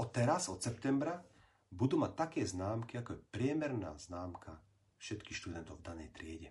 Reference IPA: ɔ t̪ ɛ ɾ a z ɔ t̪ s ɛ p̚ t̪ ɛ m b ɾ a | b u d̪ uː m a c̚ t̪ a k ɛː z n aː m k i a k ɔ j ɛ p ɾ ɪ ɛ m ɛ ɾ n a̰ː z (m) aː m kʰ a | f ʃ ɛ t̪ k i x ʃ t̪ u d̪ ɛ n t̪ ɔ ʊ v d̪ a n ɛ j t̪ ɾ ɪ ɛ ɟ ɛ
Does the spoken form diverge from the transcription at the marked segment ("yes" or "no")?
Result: yes